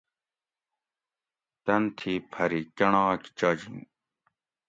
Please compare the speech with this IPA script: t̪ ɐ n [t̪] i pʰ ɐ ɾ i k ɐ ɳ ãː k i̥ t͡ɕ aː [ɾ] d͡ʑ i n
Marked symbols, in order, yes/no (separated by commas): no, no